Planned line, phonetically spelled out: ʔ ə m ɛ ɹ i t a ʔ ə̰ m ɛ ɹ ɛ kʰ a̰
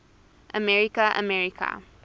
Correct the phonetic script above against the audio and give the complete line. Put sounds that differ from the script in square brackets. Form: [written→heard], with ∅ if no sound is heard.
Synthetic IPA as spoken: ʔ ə m ɛ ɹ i [t→k] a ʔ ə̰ m ɛ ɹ [ɛ→i] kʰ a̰